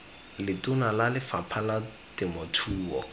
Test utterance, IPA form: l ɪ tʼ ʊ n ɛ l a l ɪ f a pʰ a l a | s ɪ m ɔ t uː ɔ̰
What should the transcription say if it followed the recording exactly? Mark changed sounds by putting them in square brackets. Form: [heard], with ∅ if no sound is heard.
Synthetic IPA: l ɪ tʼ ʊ n [a] l a l ɪ f a pʰ a l a | [t] ɪ m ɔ [tʰ] uː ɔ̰